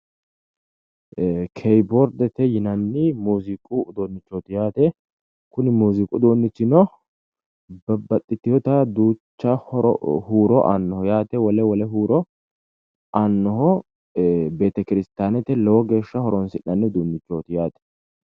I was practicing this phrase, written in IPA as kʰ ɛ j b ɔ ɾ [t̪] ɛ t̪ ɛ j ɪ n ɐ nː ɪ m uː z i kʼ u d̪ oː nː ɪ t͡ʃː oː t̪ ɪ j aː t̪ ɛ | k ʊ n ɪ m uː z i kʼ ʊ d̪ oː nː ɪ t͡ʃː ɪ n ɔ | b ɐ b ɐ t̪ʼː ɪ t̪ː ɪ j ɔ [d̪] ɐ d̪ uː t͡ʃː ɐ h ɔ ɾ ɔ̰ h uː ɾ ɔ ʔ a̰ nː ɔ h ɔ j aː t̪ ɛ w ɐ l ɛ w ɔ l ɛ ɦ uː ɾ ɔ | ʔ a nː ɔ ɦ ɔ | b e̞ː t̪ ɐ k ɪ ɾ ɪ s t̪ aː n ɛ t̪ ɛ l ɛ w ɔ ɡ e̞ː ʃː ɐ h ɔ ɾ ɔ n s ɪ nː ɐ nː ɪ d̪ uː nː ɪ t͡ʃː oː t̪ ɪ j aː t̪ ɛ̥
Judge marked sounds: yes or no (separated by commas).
no, no